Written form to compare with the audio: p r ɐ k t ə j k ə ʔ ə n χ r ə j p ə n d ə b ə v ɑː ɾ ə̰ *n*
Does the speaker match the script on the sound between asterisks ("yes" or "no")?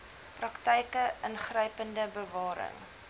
no